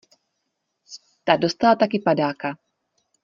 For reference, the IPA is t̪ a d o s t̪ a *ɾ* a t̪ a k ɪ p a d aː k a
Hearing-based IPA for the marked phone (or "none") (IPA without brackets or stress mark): l